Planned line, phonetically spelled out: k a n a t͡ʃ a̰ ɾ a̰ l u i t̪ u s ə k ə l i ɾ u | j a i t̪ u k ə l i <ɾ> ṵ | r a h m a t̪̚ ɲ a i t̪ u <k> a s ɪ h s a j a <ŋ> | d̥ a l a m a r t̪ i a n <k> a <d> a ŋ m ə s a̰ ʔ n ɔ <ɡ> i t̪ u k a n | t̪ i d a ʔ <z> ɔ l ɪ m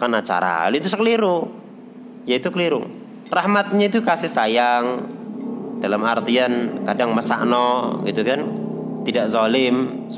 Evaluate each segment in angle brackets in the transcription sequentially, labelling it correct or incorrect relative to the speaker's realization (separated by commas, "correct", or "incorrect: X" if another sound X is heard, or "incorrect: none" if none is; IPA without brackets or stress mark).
correct, correct, correct, correct, correct, correct, correct